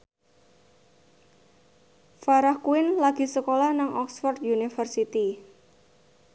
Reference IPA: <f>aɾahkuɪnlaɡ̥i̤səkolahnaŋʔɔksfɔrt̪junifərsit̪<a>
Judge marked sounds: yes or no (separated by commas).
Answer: yes, no